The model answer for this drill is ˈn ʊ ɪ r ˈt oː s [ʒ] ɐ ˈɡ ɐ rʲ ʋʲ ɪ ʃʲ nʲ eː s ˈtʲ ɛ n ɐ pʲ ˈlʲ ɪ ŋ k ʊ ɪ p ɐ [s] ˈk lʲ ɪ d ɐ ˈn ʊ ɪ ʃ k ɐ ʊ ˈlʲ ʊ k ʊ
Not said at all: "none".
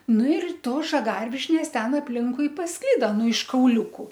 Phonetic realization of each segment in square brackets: ʒ, s

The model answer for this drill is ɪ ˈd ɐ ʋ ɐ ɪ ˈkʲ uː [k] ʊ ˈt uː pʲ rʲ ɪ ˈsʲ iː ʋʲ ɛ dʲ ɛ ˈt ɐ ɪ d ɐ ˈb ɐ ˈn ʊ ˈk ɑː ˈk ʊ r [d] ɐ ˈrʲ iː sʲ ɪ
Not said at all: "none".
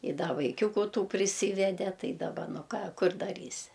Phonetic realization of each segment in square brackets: k, d

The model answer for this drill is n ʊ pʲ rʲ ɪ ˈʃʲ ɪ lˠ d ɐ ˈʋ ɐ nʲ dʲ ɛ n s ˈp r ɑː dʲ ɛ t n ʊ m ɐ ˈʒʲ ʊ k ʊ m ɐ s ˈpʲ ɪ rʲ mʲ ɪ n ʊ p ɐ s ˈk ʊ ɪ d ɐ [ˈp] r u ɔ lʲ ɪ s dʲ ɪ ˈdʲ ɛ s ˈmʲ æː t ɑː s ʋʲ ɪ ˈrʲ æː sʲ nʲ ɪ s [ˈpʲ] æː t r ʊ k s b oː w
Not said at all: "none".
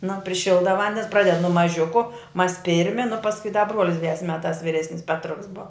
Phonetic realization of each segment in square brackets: b, pʲ

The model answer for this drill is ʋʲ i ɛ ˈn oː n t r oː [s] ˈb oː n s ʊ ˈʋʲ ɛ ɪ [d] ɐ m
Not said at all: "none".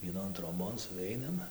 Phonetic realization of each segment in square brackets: none, n

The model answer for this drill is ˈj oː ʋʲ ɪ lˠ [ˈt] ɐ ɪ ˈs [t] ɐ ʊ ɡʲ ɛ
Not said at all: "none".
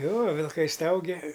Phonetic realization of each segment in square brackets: k, t

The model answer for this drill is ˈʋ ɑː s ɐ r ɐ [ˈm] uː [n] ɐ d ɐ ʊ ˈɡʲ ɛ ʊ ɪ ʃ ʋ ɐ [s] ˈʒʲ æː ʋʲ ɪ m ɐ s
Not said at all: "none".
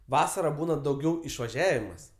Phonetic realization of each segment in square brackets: b, n, none

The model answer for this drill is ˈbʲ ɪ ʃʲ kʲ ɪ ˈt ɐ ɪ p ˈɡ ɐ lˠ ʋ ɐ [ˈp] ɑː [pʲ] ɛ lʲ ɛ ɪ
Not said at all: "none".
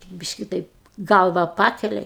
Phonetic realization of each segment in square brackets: p, kʲ

